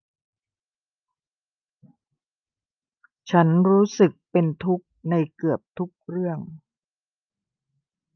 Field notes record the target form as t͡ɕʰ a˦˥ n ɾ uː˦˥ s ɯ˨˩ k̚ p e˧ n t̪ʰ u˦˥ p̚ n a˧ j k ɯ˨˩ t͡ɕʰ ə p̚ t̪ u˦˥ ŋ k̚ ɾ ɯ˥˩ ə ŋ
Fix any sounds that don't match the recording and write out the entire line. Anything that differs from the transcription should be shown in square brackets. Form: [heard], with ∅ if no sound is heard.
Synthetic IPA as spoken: t͡ɕʰ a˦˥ n ɾ uː˦˥ s ɯ˨˩ k̚ p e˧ n t̪ʰ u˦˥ [k̚] n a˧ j k ɯ˨˩ [∅] ə p̚ [t̪ʰ] u˦˥ [∅] k̚ ɾ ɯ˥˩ ə ŋ